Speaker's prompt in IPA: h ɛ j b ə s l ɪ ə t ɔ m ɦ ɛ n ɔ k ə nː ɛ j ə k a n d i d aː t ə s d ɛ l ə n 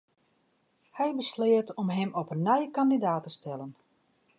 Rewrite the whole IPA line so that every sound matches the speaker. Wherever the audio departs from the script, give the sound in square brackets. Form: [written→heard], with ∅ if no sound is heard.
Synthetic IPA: h ɛ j b ə s l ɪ ə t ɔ m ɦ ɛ [n→m] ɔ [k→p] ə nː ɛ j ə k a n d i d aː t ə s [d→t] ɛ l ə n